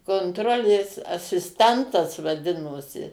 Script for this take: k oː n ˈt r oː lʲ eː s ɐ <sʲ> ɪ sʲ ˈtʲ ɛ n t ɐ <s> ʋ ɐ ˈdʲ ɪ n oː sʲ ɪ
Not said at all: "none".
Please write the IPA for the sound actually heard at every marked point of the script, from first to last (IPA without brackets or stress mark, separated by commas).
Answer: sʲ, s